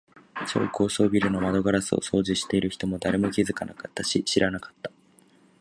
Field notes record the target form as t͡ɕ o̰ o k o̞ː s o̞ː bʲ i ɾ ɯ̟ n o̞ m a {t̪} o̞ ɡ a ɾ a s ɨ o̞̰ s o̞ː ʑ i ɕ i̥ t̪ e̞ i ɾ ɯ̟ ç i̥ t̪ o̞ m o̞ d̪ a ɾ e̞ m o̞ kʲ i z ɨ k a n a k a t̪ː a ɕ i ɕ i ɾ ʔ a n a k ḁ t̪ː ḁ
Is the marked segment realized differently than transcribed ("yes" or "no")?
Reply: yes